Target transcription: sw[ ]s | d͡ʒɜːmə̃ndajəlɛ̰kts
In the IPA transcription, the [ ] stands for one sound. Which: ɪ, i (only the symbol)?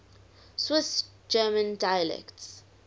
ɪ